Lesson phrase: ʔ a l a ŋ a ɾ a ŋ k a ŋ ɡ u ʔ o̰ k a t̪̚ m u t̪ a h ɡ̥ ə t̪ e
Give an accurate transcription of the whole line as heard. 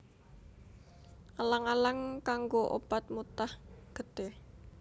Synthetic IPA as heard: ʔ a l a ŋ a l a ŋ k a ŋ ɡ o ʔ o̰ p a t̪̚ m u t̪ a h ɡ̥ ə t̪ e